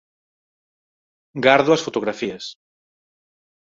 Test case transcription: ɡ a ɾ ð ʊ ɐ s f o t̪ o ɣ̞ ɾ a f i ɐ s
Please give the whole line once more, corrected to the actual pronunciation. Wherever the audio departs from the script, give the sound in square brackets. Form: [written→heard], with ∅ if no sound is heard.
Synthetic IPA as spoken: ɡ a ɾ ð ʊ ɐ s f o t̪ o ɣ̞ ɾ a f i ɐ s